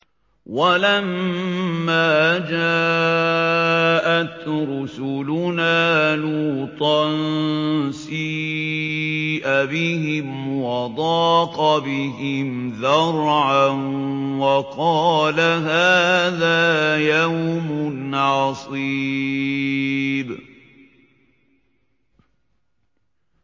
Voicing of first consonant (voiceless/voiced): voiced